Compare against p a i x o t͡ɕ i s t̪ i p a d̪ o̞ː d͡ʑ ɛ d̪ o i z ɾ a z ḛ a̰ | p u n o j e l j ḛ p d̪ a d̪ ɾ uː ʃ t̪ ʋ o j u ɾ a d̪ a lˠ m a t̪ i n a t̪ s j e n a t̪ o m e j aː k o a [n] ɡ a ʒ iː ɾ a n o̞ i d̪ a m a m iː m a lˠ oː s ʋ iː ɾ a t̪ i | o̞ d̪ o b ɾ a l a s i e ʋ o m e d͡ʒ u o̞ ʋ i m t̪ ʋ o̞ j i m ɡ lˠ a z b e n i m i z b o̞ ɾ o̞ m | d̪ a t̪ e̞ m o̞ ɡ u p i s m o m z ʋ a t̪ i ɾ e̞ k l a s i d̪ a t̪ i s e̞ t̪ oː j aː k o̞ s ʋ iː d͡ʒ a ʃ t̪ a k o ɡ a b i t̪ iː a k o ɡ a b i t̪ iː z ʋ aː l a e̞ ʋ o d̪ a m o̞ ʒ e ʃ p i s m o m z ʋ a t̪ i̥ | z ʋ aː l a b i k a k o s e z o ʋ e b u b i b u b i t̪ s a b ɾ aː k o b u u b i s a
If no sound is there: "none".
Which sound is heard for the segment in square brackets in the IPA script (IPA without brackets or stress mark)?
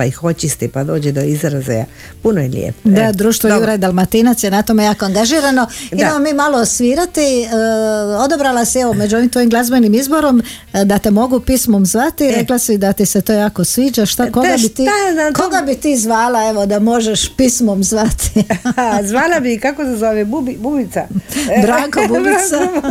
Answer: ŋ